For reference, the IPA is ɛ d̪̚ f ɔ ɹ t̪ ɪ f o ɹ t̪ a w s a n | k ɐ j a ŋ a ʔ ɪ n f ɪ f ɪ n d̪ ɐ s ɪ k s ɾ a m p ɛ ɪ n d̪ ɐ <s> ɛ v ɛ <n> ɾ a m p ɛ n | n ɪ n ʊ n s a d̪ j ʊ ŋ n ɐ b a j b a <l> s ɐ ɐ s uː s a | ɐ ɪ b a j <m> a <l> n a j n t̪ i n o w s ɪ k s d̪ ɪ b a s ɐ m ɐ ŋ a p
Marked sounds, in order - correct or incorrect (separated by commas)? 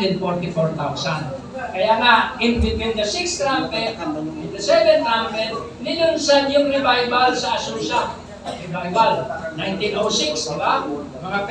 correct, correct, correct, incorrect, correct